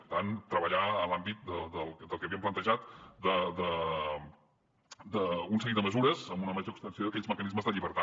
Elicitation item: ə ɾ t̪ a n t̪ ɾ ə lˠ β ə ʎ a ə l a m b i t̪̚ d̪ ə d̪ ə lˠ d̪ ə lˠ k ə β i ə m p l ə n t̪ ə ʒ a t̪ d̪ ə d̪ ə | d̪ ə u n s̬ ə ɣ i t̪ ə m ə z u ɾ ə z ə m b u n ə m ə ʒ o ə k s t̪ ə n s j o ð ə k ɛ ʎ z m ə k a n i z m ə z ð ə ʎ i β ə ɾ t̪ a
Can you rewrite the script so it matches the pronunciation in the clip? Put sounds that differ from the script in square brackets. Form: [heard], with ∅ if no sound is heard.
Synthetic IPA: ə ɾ t̪ a n t̪ ɾ ə [∅] β ə ʎ a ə l a m b i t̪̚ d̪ ə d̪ ə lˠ d̪ ə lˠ k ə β i ə m p l ə n t̪ ə ʒ a t̪ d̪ ə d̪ ə | d̪ ə u n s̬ ə ɣ i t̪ ə m ə z u ɾ ə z ə m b u n ə m ə ʒ o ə k s t̪ ə n s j o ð ə k ɛ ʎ z m ə k [ə] n i z m ə z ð ə ʎ i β ə ɾ t̪ a